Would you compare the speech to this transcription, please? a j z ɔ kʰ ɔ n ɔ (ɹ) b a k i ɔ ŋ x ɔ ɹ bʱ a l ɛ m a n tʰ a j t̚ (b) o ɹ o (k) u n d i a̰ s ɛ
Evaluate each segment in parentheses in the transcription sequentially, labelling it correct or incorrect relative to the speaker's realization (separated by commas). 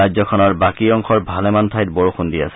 correct, correct, incorrect